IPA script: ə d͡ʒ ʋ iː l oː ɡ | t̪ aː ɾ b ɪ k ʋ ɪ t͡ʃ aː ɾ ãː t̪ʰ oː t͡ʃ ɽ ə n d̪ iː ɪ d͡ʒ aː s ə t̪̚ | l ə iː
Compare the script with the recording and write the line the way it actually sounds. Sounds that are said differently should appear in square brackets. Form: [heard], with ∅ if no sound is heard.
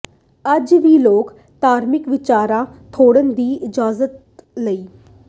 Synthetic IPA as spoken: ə d͡ʒ ʋ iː l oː [k] | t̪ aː ɾ [m] ɪ k ʋ ɪ t͡ʃ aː ɾ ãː t̪ʰ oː [∅] ɽ ə n d̪ iː ɪ d͡ʒ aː [z] ə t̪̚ | l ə iː